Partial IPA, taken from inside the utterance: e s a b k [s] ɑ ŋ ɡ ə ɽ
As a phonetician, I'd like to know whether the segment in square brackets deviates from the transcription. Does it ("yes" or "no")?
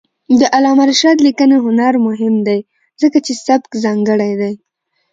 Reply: yes